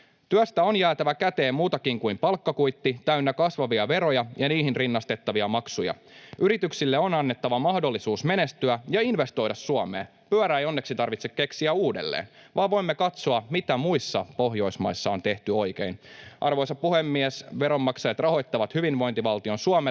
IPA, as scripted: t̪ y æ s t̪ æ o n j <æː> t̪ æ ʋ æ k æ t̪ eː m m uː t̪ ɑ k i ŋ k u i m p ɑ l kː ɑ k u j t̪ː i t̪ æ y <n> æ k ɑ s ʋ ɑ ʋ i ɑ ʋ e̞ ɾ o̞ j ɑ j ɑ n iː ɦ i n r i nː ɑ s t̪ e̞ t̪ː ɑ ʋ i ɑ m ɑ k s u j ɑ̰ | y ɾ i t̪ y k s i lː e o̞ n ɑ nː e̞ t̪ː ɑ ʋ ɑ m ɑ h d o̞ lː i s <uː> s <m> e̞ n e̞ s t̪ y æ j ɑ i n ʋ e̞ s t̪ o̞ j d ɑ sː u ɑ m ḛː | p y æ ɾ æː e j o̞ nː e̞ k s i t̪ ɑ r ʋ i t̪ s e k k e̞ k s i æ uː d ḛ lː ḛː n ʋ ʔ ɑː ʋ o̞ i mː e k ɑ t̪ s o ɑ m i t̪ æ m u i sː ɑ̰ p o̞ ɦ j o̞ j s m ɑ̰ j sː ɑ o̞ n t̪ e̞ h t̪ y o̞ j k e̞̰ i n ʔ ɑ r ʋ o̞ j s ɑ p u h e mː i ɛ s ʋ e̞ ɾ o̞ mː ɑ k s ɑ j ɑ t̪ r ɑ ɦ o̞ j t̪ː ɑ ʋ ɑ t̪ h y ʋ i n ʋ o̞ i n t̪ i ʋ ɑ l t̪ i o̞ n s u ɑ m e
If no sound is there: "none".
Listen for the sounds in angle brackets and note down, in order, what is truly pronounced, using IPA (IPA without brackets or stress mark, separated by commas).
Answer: æː, nː, uː, m